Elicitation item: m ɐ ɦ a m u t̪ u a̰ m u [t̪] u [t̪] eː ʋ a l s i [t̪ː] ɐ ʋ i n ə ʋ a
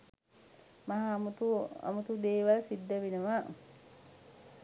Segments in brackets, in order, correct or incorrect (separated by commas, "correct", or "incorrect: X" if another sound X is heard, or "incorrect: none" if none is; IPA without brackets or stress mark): correct, incorrect: d̪, incorrect: d̪ː